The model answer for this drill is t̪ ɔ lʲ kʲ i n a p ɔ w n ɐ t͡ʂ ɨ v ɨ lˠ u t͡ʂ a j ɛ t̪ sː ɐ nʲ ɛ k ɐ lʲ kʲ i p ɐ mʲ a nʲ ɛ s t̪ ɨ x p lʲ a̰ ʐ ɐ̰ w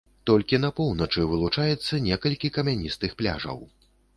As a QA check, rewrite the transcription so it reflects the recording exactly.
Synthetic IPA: t̪ ɔ lʲ kʲ i n ɐ p ɔ w n ɐ t͡ʂ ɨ v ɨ lˠ u t͡ʂ a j ɛ t̪ sː ɐ nʲ ɛ k ɐ lʲ kʲ i k ɐ mʲ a nʲ i s t̪ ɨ x p lʲ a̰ ʐ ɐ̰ w